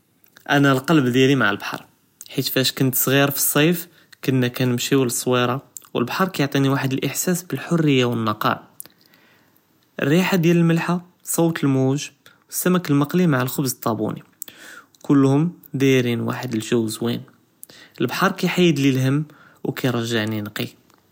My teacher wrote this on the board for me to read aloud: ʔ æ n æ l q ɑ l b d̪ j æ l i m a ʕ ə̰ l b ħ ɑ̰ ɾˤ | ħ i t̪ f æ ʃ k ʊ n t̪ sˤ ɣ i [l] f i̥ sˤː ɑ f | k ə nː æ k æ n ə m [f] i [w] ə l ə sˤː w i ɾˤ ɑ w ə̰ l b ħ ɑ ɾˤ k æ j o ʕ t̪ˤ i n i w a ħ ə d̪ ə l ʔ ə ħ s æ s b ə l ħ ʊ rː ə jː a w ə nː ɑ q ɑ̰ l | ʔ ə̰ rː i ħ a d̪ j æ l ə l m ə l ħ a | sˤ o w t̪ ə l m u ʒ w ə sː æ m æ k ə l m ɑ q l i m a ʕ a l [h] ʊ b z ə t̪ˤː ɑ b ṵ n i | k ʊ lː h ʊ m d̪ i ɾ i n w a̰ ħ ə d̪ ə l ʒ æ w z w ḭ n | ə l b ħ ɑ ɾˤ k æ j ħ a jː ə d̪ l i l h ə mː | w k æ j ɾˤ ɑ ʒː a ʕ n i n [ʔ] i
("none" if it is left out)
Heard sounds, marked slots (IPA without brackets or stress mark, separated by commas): ɾ, ʃ, w, x, q